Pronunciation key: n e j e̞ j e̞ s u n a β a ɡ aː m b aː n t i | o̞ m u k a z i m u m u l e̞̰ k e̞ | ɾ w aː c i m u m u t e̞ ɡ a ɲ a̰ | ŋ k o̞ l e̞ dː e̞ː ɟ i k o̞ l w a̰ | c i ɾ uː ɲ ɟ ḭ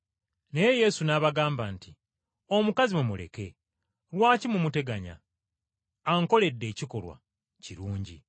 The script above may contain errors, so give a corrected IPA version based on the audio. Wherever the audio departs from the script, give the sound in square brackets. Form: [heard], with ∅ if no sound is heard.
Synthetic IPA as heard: n e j e̞ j e̞ s u n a β a ɡ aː m b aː n t i | o̞ m u k a z i m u m u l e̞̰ k e̞ | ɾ w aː c i m u m u t e̞ ɡ a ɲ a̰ | ŋ k o̞ l e̞ dː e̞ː [c] i k o̞ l w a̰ | c i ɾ uː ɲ ɟ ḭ